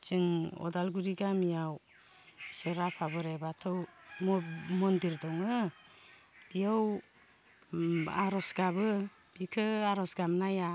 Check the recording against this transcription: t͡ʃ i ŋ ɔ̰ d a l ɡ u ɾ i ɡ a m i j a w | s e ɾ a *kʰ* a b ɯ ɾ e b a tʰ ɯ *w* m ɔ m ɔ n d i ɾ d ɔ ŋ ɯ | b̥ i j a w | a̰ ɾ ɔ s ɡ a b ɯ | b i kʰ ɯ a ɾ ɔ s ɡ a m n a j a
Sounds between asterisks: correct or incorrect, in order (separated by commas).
incorrect, correct